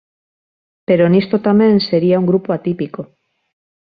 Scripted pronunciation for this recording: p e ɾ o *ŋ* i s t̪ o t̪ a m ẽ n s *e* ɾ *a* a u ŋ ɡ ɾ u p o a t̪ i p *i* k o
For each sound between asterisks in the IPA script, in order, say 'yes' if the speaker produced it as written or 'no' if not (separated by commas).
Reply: no, yes, no, yes